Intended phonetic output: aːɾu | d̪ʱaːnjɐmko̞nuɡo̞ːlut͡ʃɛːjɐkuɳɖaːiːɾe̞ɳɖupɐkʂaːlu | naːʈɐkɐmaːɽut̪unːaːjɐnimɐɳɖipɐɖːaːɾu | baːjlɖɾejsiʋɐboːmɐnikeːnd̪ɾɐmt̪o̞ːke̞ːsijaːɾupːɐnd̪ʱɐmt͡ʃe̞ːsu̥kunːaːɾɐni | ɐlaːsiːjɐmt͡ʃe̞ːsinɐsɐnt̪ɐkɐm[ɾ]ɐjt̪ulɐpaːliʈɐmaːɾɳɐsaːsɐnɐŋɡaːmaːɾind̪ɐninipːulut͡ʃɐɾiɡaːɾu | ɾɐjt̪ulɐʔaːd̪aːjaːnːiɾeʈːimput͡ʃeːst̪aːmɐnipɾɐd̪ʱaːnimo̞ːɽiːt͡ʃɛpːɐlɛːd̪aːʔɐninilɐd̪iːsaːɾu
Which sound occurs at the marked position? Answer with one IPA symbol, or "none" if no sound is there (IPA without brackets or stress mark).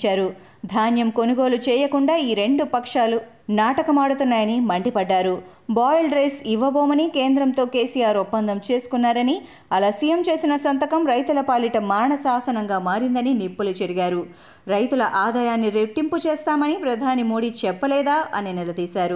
ɾ